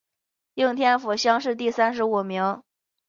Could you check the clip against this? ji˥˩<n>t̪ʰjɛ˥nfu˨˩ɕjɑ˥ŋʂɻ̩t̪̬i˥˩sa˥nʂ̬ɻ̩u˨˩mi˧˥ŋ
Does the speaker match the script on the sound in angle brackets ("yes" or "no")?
no